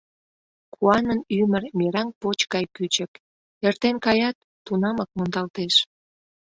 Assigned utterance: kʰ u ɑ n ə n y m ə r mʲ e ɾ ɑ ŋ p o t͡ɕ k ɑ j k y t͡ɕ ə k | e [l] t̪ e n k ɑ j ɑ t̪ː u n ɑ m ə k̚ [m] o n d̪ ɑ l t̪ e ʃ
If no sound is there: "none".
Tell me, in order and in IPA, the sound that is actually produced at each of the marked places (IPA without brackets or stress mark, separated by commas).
r, m